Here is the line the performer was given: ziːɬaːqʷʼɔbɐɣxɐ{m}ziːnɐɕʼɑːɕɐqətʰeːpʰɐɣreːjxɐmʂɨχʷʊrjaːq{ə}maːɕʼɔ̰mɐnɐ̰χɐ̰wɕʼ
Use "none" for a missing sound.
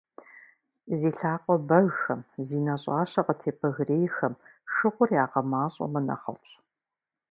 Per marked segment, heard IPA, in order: m, ɐ

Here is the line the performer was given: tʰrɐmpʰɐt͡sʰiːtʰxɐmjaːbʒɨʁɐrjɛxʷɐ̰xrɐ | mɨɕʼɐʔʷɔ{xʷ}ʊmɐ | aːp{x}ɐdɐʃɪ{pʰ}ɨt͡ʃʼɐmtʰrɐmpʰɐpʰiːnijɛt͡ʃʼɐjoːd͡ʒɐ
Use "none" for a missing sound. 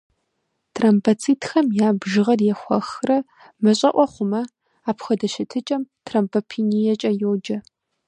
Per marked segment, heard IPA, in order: χʷ, x, tʰ

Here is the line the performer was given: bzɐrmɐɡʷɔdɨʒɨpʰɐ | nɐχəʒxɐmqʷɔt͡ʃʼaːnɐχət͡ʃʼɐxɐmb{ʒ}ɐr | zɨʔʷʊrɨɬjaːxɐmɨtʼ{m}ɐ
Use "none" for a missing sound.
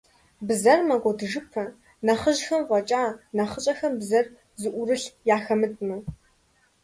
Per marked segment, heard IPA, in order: z, m

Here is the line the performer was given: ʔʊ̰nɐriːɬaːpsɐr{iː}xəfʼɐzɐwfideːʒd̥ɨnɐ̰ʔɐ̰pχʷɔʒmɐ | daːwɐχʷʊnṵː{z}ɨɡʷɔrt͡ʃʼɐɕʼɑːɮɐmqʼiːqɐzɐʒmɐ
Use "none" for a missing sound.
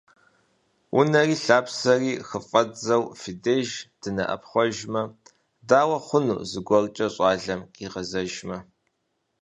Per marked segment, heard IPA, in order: iː, z

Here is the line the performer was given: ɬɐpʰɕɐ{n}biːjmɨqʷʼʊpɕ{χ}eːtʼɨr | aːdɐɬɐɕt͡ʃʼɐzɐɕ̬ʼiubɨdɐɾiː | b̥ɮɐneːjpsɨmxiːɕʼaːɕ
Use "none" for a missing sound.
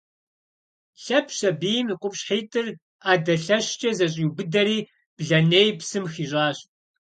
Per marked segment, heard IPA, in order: none, ħ

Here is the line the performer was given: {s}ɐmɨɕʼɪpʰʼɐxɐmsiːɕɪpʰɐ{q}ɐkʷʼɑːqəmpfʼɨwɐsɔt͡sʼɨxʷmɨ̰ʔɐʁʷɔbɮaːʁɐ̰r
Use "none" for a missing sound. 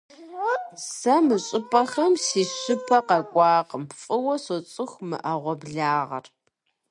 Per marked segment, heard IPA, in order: s, q

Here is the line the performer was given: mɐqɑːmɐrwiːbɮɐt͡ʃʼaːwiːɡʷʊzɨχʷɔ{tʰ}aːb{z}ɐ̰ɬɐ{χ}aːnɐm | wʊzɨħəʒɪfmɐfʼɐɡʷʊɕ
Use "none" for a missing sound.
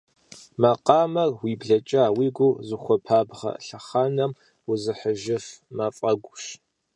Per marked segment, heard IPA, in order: pʰ, ʁ, χ

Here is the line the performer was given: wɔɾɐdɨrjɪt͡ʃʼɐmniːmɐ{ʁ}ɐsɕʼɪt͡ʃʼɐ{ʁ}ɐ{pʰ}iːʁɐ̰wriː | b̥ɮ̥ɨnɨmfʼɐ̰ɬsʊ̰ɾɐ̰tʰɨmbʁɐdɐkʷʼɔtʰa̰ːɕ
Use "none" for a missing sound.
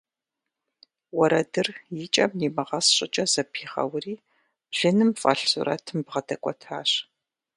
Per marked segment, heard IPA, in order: ʁ, z, pʰ

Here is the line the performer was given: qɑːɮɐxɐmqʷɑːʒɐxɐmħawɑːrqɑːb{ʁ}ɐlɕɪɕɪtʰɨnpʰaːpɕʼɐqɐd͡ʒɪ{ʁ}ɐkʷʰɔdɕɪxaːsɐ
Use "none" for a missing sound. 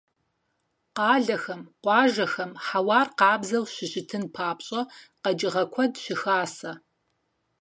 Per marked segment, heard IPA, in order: z, ʁ

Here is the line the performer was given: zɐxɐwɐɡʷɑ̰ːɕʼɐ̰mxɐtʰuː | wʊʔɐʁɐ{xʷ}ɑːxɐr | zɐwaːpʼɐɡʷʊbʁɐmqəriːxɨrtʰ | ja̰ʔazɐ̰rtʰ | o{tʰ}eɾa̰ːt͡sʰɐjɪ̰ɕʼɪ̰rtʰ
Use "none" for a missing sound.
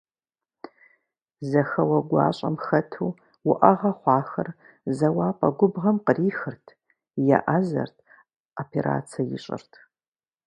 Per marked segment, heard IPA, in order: χʷ, pʰ

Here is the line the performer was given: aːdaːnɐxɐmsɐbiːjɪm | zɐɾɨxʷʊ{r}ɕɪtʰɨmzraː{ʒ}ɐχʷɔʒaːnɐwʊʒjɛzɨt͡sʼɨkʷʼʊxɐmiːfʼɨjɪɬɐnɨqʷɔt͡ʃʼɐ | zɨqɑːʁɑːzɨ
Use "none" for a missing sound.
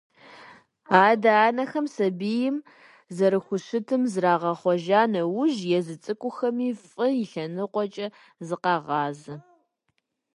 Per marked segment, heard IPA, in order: none, ʁ

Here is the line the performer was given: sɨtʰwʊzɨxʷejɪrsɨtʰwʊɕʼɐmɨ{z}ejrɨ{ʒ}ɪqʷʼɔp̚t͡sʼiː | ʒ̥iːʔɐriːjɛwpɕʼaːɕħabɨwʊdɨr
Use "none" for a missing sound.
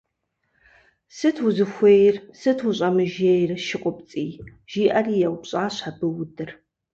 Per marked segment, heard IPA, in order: ʒ, ʃ

